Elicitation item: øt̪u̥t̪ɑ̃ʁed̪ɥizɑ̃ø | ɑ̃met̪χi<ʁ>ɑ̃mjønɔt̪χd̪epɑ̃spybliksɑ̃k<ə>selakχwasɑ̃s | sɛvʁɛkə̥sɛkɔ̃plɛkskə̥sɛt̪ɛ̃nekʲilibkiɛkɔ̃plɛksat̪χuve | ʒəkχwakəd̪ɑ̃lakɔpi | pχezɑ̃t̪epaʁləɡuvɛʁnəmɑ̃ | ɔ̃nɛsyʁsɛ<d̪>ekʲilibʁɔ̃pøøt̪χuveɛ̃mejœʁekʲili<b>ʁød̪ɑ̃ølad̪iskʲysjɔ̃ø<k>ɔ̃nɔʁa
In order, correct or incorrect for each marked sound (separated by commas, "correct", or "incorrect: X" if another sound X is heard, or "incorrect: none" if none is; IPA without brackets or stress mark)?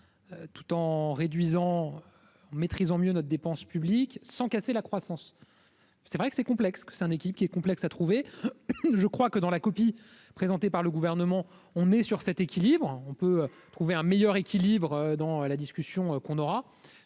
incorrect: z, incorrect: a, incorrect: t̪, correct, correct